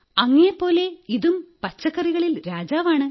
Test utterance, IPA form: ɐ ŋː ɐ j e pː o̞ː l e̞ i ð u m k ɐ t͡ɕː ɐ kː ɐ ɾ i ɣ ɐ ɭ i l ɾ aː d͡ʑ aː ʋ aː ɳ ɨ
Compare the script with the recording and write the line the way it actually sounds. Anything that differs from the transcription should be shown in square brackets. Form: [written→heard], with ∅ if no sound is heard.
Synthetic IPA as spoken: ɐ ŋː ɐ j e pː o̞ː l e̞ i ð u m [k→p] ɐ t͡ɕː ɐ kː ɐ [ɾ→r] i ɣ ɐ ɭ i l ɾ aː d͡ʑ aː ʋ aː ɳ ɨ